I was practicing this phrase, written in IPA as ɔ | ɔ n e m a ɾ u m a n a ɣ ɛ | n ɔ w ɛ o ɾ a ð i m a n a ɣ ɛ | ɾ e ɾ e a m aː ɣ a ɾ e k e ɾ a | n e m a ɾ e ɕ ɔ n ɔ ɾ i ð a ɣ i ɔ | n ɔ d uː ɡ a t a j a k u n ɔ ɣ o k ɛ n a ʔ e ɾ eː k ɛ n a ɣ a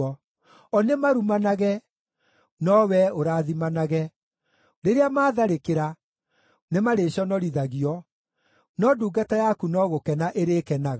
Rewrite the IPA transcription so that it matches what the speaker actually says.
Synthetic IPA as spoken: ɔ | ɔ n e m a ɾ u m a n a ɣ ɛ | n ɔ w ɛ o ɾ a ð i m a n a ɣ ɛ | ɾ e ɾ e a m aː ð a ɾ e k e ɾ a | n e m a ɾ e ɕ ɔ n ɔ ɾ i ð a ɣ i ɔ | n ɔ d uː ɡ a t a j a k u n ɔ ɣ o k ɛ n a ʔ e ɾ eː k ɛ n a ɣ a